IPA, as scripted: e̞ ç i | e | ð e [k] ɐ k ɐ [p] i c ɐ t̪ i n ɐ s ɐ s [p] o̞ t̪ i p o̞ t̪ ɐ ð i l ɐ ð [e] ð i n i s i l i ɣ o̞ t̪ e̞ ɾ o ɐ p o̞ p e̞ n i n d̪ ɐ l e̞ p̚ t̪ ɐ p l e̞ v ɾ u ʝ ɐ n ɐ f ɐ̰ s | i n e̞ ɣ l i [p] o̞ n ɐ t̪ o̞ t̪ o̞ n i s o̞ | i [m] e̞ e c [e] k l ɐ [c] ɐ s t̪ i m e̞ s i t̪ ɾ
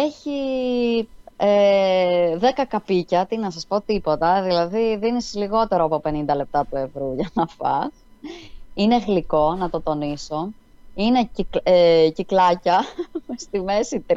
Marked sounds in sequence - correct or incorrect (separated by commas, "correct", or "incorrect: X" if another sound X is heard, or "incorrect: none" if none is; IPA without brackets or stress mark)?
correct, correct, correct, incorrect: i, incorrect: k, incorrect: n, incorrect: i, correct